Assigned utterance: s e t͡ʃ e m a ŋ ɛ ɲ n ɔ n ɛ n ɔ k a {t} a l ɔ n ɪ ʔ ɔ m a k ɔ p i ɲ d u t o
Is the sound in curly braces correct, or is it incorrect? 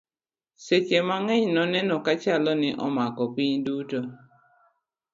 incorrect